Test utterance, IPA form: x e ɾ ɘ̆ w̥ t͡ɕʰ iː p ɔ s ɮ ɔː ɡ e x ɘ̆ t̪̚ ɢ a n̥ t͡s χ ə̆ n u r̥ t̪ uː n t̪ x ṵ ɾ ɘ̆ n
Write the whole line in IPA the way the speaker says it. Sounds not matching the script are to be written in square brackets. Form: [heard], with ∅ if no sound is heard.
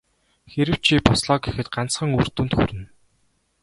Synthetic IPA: x e ɾ ɘ̆ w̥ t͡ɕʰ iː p ɔ s ɮ ɔː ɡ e x ɘ̆ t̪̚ ɢ a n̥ t͡s χ ə̆ [ŋ] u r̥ t̪ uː n t̪ x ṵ ɾ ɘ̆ n